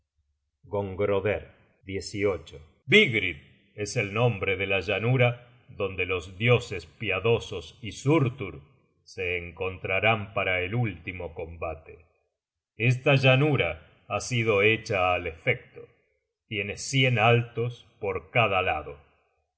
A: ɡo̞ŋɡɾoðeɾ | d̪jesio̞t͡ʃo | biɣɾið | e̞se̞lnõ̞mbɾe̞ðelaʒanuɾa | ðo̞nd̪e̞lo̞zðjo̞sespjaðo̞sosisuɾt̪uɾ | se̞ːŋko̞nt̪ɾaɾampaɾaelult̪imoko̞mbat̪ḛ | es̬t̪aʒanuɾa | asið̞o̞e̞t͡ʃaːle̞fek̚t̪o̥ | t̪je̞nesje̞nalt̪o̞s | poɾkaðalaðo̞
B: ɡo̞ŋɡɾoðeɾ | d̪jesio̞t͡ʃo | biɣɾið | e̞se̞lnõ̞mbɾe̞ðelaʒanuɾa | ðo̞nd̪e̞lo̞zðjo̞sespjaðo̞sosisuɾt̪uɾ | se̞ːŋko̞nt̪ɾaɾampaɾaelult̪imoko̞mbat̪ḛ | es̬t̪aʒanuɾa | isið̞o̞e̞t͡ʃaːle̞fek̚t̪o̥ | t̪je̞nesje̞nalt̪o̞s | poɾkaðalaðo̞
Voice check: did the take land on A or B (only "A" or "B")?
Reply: A